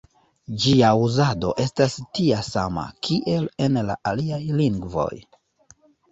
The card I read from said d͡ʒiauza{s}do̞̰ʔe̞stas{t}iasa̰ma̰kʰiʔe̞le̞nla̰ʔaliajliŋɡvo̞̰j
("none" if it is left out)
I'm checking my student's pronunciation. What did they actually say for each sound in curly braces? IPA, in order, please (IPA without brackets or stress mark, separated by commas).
none, t